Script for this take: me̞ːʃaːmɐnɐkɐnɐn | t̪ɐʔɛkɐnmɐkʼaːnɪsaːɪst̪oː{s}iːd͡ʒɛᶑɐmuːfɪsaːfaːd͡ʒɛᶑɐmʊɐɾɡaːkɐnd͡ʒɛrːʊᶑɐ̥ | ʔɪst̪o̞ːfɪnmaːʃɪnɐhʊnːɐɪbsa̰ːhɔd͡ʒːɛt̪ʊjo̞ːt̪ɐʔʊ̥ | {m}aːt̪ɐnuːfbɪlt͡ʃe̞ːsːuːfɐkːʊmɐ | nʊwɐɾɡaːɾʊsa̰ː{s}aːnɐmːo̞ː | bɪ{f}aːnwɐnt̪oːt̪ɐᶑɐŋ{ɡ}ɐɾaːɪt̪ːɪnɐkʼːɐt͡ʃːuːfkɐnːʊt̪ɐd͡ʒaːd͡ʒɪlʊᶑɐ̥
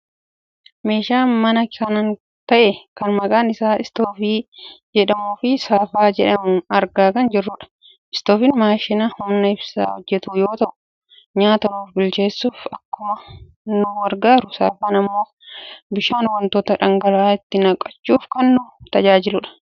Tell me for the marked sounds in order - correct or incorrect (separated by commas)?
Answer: incorrect, incorrect, incorrect, incorrect, correct